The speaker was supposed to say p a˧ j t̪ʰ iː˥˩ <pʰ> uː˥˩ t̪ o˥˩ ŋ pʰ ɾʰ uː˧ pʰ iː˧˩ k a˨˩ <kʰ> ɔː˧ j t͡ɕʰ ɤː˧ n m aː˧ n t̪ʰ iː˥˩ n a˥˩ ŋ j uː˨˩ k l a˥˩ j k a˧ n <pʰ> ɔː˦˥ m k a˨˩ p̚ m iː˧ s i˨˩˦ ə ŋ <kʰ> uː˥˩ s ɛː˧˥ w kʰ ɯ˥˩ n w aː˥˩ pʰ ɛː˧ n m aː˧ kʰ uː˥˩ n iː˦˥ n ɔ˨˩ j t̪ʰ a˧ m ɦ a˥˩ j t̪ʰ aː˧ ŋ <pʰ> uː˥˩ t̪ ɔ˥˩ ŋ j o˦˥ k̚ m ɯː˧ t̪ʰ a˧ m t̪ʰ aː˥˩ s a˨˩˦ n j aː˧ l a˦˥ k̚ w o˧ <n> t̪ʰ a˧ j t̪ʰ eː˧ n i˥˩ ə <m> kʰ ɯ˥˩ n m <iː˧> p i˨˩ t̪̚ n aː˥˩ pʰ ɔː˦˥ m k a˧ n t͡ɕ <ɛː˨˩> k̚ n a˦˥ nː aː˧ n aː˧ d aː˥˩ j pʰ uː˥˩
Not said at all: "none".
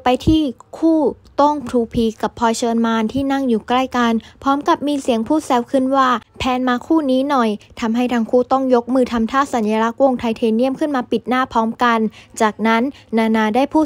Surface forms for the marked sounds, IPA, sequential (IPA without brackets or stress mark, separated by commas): kʰ, pʰ, pʰ, pʰ, kʰ, ŋ, m, aː˧, aː˨˩